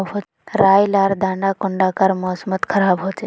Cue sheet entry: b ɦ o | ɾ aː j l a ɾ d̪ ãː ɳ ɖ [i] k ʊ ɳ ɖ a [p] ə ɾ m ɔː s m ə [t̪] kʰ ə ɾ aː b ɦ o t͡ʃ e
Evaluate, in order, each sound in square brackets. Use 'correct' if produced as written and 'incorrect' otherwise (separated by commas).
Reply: incorrect, incorrect, correct